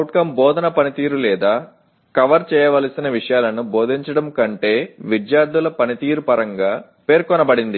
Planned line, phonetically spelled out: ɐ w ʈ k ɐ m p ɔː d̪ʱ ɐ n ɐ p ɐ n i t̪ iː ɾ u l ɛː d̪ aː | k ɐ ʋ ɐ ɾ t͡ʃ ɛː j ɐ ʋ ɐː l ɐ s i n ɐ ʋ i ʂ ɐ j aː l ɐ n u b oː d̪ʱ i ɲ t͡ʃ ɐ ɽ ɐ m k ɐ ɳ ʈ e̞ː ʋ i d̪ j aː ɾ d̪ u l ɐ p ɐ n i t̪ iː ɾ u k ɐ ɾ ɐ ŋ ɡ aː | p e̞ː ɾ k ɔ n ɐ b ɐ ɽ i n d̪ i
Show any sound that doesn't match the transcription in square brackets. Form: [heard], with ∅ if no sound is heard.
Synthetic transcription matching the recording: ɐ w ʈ k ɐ m [b] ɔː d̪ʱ ɐ n ɐ p ɐ n i t̪ iː ɾ u l ɛː d̪ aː | k ɐ ʋ ɐ ɾ t͡ʃ ɛː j ɐ ʋ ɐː l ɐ s i n ɐ ʋ i ʂ ɐ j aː l ɐ n u b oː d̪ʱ i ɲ t͡ʃ ɐ ɽ ɐ m k ɐ ɳ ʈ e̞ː ʋ i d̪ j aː ɾ d̪ u l ɐ p ɐ n i t̪ iː ɾ u [p] ɐ ɾ ɐ ŋ ɡ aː | p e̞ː ɾ k ɔ n ɐ b ɐ ɽ i n d̪ i